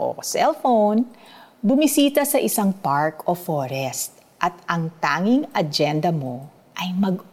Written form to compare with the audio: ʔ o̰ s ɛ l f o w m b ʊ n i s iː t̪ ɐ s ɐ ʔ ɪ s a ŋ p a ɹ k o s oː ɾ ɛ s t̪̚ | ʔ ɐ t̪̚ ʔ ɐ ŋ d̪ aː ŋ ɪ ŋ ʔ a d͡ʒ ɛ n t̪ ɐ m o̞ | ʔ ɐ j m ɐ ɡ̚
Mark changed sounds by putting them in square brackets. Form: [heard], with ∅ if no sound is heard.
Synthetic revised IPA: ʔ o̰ s ɛ l f o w [n] b ʊ [m] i s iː t̪ ɐ s ɐ ʔ ɪ s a ŋ p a ɹ k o [f] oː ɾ ɛ s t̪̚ | ʔ ɐ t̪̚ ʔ ɐ ŋ [t̪] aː ŋ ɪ ŋ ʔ [ɐ] d͡ʒ ɛ n [d̪] ɐ m o̞ | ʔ ɐ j m ɐ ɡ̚